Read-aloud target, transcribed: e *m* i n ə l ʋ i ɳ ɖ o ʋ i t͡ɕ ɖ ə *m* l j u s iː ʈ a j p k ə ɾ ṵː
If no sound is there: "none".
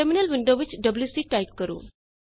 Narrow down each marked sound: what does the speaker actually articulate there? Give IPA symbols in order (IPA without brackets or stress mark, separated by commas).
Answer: m, b